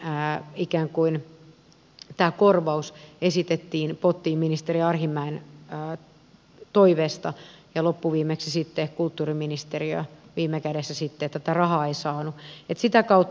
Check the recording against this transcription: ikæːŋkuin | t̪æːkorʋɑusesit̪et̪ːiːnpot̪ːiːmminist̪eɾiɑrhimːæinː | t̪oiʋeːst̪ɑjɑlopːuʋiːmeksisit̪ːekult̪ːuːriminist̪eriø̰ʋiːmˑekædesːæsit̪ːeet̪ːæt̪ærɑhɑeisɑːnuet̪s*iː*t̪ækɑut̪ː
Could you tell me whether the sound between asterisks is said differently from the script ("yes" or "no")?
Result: yes